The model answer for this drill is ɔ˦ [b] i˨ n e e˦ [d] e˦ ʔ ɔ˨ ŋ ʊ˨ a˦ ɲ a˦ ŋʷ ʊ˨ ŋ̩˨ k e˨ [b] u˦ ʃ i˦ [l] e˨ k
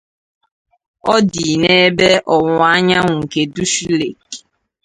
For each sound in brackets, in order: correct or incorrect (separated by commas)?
incorrect, incorrect, incorrect, correct